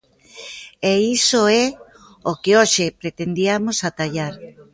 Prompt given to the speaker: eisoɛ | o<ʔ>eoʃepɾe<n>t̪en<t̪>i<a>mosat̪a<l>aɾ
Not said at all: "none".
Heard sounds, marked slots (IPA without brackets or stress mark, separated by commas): k, none, d̪, a, ʎ